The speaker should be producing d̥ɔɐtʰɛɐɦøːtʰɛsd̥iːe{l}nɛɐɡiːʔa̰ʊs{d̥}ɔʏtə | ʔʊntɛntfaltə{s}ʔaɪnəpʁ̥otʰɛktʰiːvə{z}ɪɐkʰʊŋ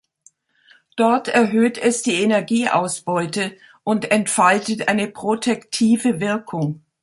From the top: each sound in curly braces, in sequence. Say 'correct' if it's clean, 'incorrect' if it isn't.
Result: incorrect, incorrect, incorrect, incorrect

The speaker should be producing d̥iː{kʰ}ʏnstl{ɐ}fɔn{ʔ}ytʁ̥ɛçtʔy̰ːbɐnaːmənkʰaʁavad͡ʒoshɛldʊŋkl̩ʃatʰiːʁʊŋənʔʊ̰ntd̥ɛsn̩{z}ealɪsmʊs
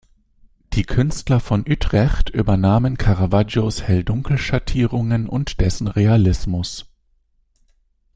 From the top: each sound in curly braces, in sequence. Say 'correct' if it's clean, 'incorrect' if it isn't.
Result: correct, correct, correct, incorrect

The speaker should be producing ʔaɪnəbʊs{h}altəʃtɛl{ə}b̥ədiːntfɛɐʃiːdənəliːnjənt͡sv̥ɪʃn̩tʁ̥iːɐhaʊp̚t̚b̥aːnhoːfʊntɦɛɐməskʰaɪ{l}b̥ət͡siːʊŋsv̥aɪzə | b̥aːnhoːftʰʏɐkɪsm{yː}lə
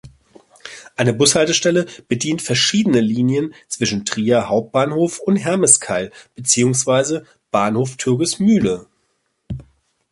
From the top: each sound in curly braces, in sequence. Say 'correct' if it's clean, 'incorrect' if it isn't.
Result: correct, correct, correct, correct

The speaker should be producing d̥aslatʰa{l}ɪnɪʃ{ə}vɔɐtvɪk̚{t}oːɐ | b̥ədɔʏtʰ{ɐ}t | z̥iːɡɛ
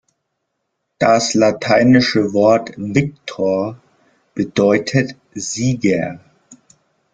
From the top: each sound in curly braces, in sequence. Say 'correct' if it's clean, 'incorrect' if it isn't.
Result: incorrect, correct, incorrect, incorrect

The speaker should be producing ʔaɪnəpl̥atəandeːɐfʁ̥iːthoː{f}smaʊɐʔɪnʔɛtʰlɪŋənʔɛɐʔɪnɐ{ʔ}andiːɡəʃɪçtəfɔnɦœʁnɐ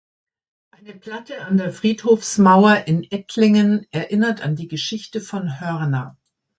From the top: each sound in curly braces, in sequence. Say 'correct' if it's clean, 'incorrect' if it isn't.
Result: correct, incorrect

